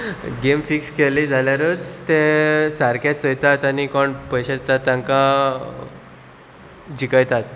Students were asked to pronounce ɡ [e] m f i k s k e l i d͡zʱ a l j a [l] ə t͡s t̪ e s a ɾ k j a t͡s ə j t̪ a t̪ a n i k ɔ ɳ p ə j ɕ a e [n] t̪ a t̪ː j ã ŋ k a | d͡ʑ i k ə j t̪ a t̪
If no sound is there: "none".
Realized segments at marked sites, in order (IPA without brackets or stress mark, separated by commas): e, ɾ, none